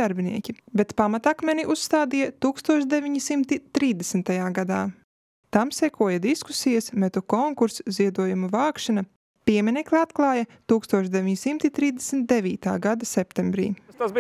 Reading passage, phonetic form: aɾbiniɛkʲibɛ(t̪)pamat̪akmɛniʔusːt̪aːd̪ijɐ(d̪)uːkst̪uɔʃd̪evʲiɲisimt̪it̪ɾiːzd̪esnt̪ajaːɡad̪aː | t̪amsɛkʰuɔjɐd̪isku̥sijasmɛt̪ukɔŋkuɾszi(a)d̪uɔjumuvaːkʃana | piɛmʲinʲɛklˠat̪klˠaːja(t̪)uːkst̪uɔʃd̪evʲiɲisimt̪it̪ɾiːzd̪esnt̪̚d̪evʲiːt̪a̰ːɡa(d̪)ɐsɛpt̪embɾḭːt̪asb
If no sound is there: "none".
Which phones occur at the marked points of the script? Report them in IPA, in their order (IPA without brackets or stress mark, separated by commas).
t̪, t̪, ɛ, t̪, d̪